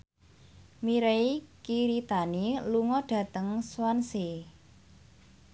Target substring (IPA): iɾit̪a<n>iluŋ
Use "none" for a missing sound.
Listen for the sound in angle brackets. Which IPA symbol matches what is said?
n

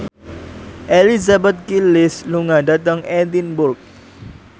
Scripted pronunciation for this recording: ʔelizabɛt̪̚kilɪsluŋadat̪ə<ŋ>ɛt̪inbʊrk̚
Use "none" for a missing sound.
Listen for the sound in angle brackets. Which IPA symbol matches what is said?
ŋ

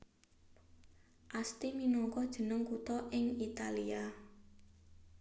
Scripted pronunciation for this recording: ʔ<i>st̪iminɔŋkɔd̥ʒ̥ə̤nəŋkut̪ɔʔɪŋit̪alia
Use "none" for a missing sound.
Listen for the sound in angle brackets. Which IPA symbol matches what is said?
a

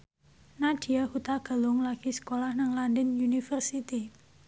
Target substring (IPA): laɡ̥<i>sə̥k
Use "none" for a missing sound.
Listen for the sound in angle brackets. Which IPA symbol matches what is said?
i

